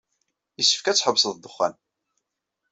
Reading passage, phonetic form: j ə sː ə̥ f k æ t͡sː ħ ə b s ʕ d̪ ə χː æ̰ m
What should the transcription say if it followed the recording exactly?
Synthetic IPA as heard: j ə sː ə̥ f k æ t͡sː ħ ə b s ð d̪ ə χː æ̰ n